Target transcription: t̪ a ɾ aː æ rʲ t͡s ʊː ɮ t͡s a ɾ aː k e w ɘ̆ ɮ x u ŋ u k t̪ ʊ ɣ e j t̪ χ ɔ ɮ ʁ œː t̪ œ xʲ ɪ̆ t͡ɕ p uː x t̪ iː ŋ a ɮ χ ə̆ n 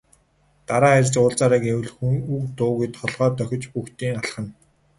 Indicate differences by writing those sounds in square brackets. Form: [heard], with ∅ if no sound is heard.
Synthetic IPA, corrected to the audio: t̪ a ɾ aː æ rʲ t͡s ʊː ɮ t͡s a ɾ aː k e w ɘ̆ ɮ x u ŋ u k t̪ [ʊː] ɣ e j t̪ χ ɔ ɮ ʁ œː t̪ œ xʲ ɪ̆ t͡ɕ p [u] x t̪ iː ŋ a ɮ χ ə̆ n